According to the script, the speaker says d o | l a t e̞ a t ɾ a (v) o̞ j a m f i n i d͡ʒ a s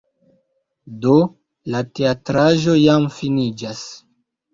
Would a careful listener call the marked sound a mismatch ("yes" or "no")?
yes